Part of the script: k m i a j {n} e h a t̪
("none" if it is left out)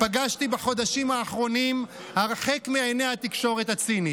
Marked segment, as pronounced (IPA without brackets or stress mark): n